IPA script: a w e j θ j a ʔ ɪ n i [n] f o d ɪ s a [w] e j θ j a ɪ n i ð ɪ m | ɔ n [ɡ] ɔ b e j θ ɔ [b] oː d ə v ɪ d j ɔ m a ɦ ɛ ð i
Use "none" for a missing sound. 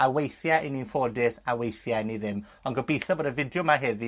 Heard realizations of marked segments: n, w, ɡ, b

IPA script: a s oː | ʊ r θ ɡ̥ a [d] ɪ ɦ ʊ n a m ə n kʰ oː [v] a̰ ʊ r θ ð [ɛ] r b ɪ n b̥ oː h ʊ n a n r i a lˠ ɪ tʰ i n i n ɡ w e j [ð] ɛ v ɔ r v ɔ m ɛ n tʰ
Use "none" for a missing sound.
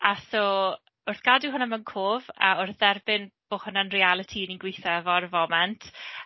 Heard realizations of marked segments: d, v, ɛ, θ

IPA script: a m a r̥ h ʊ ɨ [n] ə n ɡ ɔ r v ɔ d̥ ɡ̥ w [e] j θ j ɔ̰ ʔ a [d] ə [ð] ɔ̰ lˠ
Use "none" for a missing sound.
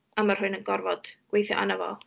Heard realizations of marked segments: n, e, n, v

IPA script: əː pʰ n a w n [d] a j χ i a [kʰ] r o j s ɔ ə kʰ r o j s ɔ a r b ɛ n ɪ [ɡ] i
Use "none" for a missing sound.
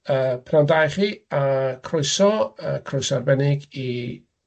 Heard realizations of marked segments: d, kʰ, ɡ

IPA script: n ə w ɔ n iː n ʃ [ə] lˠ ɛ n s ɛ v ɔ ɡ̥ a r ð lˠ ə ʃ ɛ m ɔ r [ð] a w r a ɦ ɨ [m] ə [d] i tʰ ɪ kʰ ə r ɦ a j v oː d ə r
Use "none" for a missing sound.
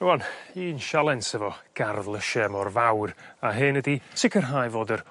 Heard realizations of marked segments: a, v, n, d

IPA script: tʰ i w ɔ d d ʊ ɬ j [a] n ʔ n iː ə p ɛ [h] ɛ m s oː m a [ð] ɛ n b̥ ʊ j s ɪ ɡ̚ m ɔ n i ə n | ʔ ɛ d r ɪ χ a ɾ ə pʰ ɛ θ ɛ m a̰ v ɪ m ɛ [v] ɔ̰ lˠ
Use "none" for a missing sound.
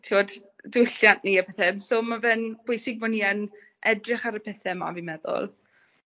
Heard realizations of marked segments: a, θ, v, ð

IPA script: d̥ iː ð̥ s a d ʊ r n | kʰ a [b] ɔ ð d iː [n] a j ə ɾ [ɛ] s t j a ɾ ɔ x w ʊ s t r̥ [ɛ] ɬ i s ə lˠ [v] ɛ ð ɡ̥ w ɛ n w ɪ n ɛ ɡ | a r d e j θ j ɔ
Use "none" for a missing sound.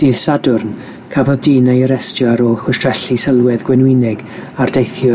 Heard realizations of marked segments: v, n, ɛ, ɛ, w

